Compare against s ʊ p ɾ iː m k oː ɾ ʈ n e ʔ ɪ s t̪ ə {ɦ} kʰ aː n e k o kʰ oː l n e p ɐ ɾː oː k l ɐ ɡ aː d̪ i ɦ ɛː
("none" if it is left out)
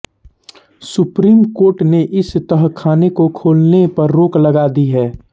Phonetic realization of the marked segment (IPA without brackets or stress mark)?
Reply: ɦ